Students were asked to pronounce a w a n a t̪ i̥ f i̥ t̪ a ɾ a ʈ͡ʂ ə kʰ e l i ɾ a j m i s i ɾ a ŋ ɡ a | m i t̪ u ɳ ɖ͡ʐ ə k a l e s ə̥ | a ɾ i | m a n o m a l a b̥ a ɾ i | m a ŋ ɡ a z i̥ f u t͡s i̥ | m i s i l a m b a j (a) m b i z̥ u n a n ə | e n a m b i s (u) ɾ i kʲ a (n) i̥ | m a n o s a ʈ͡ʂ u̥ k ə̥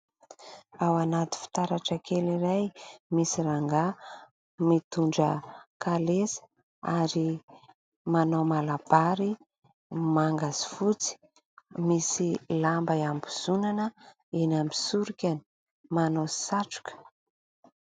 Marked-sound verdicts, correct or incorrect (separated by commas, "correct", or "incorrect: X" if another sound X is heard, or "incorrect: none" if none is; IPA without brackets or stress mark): correct, correct, correct